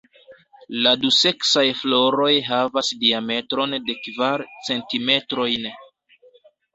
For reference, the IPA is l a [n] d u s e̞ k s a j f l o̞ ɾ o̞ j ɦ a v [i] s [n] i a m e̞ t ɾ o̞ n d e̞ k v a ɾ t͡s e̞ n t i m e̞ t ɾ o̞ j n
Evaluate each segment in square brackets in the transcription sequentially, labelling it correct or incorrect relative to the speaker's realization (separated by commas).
incorrect, incorrect, incorrect